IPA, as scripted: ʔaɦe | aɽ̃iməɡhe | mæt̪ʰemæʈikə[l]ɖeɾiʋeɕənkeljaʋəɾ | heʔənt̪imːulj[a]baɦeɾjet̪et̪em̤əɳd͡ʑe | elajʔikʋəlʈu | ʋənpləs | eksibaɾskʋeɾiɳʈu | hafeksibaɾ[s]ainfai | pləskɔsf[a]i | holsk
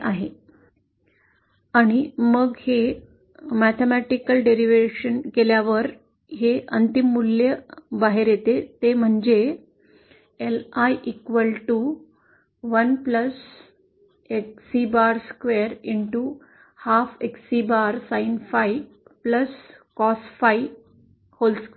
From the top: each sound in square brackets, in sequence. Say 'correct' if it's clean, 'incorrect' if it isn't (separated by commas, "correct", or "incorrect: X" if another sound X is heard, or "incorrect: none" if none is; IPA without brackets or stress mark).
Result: correct, incorrect: ə, correct, correct